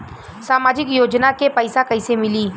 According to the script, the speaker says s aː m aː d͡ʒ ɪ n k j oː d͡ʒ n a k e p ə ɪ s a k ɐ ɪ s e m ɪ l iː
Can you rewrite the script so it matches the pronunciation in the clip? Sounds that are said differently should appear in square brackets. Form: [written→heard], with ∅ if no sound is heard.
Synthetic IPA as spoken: s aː m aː d͡ʒ ɪ [n→∅] k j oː d͡ʒ n a k e p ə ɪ s a k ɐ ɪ s e m ɪ l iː